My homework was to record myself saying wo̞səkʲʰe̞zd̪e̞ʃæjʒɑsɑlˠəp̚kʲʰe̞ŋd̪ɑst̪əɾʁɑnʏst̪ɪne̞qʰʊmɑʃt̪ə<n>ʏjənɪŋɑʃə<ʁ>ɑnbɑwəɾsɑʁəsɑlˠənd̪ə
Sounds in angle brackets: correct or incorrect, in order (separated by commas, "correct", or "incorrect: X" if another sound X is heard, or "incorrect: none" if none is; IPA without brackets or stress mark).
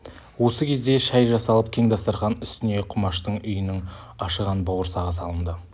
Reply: incorrect: ɴ, correct